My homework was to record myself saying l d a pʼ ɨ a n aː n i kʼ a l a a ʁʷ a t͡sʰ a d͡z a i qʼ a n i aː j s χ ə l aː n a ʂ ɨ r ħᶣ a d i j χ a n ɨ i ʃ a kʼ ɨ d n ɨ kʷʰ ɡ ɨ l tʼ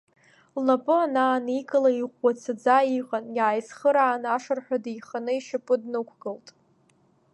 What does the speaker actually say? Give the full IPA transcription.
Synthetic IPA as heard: l n a pʼ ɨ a n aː n i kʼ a l a i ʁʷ a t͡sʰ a d͡z a i qʼ a n j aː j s χ ə ɾ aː n a ʂ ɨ r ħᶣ a d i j χ a n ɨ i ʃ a pʼ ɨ d n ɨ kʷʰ ɡ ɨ l tʼ